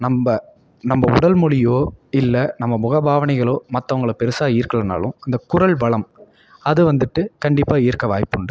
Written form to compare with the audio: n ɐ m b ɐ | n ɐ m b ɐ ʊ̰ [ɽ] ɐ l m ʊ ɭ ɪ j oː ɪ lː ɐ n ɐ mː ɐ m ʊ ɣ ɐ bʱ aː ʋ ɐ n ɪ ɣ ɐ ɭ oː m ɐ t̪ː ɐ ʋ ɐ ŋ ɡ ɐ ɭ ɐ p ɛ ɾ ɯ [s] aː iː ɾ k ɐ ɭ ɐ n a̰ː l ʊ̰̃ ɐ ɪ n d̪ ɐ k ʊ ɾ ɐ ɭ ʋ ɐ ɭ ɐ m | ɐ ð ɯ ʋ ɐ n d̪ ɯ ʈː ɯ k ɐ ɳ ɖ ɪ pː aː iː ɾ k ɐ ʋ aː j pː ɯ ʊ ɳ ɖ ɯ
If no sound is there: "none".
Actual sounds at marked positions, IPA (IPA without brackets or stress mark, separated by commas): ɽ, s